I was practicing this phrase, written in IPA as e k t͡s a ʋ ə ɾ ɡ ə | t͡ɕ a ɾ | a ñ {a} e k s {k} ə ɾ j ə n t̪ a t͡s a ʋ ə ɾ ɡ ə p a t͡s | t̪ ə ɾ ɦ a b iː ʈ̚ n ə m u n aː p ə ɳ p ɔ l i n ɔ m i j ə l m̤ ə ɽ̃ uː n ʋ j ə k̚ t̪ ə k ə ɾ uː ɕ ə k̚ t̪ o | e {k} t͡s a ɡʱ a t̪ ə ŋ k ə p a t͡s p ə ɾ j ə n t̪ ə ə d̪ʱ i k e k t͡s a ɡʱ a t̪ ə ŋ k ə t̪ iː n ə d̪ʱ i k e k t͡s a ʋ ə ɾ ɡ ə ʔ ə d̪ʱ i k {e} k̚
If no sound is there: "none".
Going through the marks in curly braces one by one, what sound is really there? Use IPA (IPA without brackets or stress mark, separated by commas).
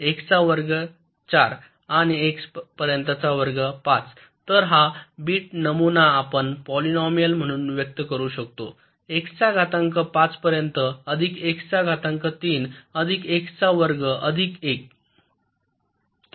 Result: i, p, k, e